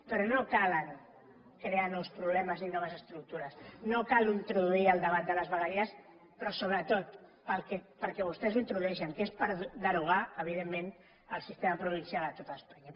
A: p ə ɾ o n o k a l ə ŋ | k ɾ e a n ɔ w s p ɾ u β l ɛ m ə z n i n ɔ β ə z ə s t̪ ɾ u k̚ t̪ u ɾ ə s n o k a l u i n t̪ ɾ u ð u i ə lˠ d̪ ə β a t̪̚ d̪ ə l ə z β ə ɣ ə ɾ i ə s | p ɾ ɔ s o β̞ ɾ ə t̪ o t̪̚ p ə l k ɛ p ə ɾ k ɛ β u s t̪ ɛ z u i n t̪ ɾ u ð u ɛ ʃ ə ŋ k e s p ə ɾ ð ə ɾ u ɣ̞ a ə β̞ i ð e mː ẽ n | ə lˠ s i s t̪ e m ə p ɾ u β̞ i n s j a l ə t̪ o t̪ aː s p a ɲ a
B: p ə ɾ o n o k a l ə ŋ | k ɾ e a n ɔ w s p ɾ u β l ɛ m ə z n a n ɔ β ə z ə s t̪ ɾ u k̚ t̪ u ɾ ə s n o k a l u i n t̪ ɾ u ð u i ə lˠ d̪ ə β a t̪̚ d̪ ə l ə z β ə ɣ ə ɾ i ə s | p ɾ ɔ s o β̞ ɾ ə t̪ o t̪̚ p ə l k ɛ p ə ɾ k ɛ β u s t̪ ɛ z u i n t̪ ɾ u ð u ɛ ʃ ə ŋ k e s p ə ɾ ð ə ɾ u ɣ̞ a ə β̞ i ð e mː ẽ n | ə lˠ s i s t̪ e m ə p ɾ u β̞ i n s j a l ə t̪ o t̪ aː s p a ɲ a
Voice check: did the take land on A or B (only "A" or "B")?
A